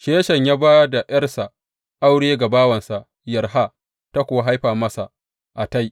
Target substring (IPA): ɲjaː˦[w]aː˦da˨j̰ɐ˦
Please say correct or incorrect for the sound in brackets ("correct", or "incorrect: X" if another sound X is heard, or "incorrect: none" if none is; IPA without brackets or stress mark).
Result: incorrect: b